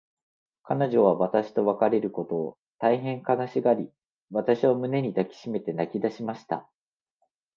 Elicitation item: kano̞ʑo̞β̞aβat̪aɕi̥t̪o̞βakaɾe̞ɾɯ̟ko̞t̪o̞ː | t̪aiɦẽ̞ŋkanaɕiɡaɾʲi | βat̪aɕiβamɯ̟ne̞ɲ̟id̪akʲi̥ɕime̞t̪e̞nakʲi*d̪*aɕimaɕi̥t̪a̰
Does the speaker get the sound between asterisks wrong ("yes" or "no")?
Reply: no